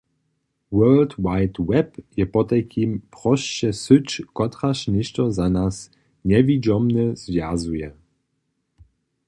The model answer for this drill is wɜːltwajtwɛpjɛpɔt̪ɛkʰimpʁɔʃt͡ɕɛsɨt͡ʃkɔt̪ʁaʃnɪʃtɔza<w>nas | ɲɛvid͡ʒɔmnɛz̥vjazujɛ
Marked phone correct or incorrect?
incorrect